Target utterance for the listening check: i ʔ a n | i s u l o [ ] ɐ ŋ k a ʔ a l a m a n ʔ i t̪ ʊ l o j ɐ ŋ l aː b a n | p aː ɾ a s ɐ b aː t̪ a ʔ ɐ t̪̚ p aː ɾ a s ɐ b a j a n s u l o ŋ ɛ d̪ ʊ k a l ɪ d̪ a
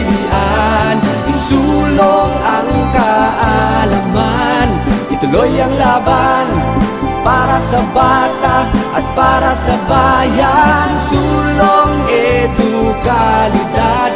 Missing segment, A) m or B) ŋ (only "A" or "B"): B